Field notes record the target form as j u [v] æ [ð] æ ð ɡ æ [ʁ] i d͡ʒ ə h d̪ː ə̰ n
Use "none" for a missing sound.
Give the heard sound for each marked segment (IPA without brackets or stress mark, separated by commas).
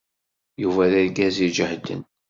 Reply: v, ð, z